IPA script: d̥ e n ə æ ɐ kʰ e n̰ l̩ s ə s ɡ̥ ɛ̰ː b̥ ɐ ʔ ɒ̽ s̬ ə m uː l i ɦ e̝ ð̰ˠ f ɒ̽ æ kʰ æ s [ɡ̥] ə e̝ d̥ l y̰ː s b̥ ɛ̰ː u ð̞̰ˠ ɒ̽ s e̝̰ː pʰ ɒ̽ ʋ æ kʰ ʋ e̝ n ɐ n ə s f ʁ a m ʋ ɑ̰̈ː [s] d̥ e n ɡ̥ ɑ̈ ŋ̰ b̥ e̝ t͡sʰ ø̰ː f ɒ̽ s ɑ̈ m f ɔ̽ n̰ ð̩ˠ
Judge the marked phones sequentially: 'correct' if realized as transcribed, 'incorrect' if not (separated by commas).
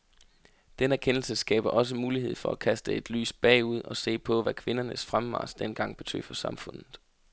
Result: incorrect, correct